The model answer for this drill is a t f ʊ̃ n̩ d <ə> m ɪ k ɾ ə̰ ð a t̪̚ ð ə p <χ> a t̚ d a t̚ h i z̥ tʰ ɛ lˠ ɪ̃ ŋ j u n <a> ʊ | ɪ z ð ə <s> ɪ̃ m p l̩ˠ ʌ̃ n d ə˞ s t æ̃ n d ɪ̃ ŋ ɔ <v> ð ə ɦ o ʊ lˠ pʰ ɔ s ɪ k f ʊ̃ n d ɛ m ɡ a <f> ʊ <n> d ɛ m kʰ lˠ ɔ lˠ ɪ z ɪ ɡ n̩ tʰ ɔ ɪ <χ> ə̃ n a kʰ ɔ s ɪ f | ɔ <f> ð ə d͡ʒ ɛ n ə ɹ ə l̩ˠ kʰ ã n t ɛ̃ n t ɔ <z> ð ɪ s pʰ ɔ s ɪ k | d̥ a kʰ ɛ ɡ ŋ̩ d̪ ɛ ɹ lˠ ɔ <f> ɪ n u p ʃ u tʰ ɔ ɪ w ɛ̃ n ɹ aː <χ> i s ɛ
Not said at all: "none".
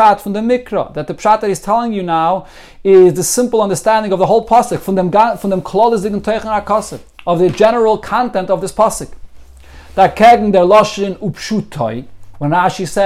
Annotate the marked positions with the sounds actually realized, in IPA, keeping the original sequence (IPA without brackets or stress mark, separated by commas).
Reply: ə, ʃ, a, s, v, f, n, χ, v, v, ʃ, ʃ